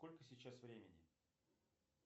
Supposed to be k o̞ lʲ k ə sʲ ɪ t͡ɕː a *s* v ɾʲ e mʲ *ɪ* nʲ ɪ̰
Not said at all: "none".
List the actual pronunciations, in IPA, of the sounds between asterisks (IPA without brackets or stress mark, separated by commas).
s, ɪ